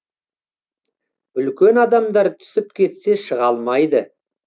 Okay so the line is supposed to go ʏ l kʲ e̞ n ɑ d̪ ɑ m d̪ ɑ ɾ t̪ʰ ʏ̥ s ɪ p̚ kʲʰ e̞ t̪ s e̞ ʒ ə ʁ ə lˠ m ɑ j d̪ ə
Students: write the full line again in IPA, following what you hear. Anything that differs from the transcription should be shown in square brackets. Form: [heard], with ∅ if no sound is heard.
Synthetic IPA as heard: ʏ l kʲ e̞ n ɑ d̪ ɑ m d̪ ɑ ɾ t̪ʰ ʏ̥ s ɪ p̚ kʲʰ e̞ t̪ s e̞ [ʃ] ə ʁ [ɑ] lˠ m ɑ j d̪ ə